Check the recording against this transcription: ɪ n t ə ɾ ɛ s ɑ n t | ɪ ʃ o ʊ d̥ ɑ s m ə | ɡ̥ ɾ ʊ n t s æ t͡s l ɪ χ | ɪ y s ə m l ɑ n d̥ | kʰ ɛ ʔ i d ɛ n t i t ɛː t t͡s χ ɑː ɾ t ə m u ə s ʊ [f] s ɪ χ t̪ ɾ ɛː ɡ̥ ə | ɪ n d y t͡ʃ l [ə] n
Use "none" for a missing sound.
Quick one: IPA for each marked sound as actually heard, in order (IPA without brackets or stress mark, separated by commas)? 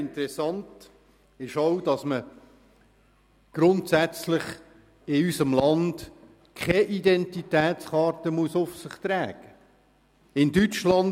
f, ɑ